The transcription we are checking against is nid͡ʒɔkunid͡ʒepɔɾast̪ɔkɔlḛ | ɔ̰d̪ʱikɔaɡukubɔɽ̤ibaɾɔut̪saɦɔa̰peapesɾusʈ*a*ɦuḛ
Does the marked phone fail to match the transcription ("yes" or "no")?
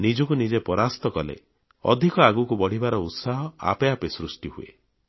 yes